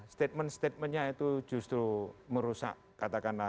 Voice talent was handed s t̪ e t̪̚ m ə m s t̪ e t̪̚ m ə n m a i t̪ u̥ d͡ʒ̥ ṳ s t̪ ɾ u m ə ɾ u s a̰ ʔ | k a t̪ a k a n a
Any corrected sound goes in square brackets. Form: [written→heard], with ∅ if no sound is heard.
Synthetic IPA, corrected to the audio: s t̪ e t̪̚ m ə [m→n] s t̪ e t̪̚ m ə n [m→ɲ] a i t̪ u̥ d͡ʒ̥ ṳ s t̪ ɾ u m ə ɾ u s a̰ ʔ | k a t̪ a k a n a